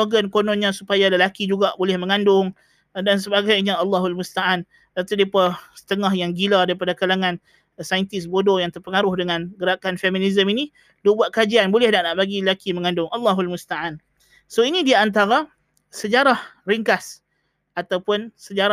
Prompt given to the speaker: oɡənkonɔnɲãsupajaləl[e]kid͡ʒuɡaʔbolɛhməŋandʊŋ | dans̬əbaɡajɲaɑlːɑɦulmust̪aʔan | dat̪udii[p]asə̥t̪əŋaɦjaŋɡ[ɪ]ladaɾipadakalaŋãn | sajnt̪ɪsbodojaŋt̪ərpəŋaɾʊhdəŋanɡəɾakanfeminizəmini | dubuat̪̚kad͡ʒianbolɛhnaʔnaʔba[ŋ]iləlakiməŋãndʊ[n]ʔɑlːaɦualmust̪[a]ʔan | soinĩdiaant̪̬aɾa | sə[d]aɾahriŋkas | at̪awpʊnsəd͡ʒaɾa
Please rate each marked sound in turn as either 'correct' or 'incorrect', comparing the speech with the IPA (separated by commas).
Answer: incorrect, correct, incorrect, incorrect, incorrect, correct, incorrect